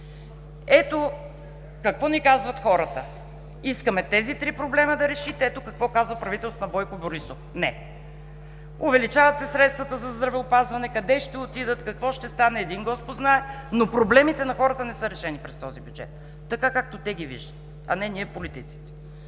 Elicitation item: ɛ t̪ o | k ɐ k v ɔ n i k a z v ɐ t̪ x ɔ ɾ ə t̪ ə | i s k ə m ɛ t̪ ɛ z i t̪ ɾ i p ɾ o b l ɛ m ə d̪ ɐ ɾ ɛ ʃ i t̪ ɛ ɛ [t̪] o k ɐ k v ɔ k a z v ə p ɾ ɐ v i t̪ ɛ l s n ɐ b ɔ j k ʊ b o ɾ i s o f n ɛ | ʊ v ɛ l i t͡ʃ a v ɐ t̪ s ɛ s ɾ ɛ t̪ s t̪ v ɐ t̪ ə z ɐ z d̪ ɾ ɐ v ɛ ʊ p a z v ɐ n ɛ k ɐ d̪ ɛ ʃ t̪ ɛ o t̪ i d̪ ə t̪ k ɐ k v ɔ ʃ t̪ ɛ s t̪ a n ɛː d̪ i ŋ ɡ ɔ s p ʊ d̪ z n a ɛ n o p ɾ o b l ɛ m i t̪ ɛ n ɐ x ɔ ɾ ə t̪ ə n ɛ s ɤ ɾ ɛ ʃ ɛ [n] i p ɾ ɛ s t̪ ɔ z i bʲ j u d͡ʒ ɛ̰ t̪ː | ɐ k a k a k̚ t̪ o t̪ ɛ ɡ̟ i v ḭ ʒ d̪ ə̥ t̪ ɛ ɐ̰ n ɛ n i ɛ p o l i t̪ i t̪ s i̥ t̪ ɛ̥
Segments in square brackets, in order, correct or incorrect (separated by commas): correct, correct